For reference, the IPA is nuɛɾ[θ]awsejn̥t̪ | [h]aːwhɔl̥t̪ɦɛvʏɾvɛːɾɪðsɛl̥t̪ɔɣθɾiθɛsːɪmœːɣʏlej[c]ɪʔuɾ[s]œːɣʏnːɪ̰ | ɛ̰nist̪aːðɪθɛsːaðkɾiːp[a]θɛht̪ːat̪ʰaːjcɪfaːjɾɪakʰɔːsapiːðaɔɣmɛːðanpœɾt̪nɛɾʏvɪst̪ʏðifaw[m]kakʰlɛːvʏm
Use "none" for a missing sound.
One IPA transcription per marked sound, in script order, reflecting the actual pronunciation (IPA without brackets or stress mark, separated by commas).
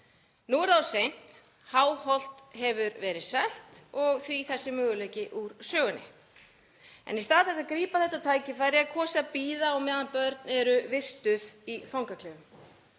ð, h, c, s, a, ŋ